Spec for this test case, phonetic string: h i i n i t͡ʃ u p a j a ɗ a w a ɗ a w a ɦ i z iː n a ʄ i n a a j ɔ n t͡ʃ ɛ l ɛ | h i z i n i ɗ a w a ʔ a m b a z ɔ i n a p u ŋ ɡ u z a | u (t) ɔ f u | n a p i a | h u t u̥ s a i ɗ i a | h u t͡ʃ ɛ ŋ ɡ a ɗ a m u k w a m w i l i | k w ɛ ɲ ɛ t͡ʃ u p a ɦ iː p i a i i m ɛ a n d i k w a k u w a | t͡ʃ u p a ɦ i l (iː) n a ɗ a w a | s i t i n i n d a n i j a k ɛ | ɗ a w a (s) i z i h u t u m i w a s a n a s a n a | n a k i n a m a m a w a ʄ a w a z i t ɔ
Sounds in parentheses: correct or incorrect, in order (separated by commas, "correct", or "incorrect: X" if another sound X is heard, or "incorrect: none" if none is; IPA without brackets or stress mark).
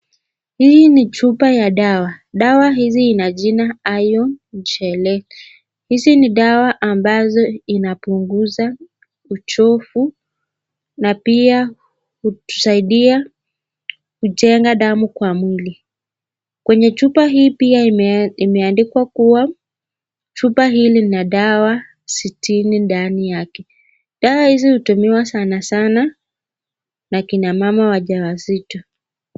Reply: incorrect: t͡ʃ, incorrect: i, incorrect: h